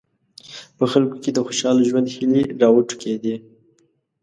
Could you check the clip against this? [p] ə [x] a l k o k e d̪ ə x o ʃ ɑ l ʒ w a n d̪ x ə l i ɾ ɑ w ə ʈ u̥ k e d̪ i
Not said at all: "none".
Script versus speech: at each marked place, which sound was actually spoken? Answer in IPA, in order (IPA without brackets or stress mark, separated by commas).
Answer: p, x